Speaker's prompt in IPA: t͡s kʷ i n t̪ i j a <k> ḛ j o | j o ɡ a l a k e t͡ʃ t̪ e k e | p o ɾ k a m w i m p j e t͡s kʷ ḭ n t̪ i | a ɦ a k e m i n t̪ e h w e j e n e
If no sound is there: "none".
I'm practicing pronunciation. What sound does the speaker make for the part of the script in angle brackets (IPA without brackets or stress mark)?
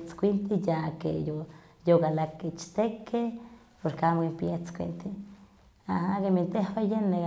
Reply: k